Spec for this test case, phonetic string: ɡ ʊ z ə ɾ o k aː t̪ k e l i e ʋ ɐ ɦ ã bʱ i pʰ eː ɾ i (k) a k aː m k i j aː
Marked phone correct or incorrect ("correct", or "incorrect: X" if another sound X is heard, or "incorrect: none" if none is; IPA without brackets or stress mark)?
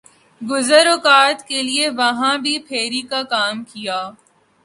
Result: correct